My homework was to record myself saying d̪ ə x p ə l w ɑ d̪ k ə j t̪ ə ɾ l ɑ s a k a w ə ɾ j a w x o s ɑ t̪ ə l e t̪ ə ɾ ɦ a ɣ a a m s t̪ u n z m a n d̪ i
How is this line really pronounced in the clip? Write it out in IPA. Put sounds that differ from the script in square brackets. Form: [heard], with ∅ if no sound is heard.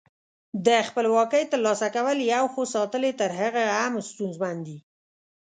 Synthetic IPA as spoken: d̪ ə x p ə l w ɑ [∅] k ə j t̪ ə ɾ l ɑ s a k a w ə [l] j a w x o s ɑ t̪ ə l e t̪ ə ɾ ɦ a ɣ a a m s t̪ u n z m a n d̪ i